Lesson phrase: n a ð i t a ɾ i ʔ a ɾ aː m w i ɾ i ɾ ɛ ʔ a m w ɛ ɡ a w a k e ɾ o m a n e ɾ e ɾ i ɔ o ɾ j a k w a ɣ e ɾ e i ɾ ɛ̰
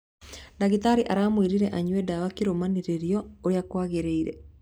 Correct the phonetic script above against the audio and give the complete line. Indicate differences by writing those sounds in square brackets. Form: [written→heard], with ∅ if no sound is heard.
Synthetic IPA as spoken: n a [ð→ɣ] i t a ɾ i ʔ a ɾ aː m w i ɾ i ɾ ɛ ʔ a [m→ɲ] w ɛ [ɡ→d] a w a k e ɾ o m a n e ɾ e ɾ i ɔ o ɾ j a k w a ɣ e ɾ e i ɾ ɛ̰